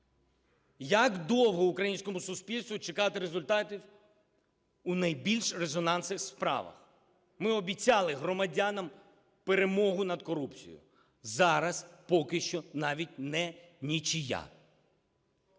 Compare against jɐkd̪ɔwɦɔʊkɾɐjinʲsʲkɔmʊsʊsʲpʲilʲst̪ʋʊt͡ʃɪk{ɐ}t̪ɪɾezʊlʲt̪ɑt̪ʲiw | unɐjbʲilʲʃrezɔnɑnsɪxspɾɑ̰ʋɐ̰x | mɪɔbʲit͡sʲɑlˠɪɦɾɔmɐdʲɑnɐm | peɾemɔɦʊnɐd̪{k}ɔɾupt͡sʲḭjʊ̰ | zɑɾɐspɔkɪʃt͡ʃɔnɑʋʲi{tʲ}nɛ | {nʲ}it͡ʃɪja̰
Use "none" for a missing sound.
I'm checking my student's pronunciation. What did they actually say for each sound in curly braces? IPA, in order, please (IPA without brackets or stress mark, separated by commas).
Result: ɑ, k, tʲ, nʲ